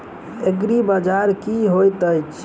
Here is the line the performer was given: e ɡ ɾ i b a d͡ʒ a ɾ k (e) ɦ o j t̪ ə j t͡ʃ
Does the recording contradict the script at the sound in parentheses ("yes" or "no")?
yes